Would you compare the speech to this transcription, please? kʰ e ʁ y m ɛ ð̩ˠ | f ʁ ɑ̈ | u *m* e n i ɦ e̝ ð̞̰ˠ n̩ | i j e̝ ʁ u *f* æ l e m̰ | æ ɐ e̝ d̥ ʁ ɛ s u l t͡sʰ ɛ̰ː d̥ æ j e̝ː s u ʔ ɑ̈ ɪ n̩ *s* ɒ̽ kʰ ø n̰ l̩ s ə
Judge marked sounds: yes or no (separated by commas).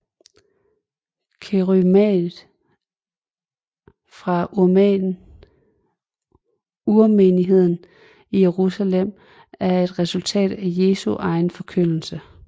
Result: yes, no, no